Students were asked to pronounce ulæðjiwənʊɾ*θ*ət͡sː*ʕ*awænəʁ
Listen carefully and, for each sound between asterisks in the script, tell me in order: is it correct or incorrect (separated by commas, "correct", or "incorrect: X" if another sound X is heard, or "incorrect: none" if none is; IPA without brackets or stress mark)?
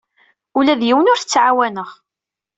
correct, correct